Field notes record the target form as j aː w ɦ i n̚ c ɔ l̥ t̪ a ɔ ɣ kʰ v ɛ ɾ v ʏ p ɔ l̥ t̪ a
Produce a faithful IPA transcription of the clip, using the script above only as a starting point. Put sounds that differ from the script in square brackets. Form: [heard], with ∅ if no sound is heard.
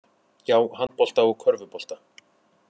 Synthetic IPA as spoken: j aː w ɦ [a] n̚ [p] ɔ l̥ t̪ a ɔ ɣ kʰ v [œ] ɾ v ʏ p ɔ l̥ t̪ a